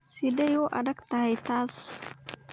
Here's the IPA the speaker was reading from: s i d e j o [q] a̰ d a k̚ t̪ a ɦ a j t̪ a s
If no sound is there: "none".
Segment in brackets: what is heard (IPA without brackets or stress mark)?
ʔ